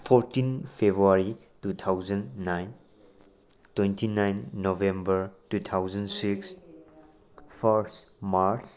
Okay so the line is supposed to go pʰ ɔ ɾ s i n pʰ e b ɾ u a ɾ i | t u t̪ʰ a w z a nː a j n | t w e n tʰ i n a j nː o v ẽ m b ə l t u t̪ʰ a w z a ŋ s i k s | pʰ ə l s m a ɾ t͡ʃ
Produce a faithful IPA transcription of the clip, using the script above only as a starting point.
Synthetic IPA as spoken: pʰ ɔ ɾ t i n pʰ e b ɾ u a ɾ i | t u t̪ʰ a w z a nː a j n | t w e n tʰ i n a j nː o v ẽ m b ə ɾ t u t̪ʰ a w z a n s i k s | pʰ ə ɾ s m a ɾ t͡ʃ